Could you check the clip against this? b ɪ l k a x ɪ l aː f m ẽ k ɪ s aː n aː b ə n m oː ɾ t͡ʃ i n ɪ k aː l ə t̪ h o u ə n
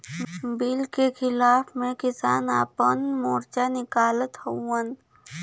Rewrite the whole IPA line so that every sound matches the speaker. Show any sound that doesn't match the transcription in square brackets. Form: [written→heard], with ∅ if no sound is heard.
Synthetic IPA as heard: b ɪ l k [a→e] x ɪ l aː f m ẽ k ɪ s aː n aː [b→p] ə n m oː ɾ t͡ʃ [i→a] n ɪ k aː l ə t̪ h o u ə n